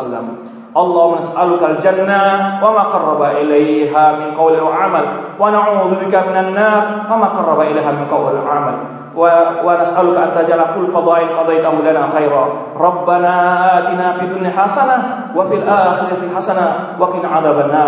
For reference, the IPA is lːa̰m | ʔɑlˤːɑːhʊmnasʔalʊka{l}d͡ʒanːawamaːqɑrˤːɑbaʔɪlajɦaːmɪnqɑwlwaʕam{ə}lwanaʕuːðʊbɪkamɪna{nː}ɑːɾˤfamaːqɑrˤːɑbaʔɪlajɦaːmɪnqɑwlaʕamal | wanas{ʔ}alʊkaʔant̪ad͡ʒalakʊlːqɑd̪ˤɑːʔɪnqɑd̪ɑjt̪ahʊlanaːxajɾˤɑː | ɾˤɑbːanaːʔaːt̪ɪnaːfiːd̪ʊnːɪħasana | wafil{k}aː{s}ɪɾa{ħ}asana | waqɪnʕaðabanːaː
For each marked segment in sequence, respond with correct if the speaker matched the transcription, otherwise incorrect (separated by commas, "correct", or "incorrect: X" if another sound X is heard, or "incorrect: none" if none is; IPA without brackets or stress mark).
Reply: correct, incorrect: a, correct, correct, incorrect: ʔ, incorrect: x, correct